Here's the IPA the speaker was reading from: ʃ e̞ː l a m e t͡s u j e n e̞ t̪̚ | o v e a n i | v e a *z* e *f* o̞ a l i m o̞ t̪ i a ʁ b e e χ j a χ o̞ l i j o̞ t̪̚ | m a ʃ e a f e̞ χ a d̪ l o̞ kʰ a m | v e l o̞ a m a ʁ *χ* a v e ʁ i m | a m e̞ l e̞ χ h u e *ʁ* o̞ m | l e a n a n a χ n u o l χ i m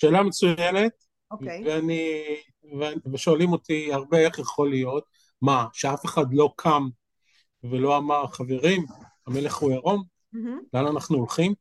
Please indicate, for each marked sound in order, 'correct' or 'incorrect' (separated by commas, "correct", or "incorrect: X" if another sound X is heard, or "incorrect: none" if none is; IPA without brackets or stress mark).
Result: incorrect: v, incorrect: ʃ, correct, correct